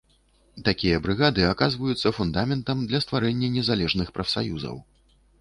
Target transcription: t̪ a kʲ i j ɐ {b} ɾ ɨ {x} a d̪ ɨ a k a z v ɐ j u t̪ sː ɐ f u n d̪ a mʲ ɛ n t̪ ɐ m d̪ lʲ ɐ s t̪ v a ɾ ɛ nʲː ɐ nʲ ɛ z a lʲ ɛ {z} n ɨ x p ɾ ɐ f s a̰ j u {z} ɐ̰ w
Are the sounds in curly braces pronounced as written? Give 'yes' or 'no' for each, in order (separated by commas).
yes, no, no, yes